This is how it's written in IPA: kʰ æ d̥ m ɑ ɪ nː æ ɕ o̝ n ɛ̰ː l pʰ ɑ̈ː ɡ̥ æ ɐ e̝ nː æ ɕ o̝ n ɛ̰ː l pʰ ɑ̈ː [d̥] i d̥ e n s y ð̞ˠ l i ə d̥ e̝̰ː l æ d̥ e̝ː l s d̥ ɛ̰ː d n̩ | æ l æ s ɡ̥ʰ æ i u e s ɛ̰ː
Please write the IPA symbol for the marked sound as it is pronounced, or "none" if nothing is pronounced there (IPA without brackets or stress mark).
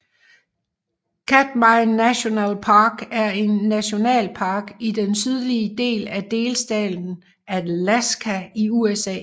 ɡ̥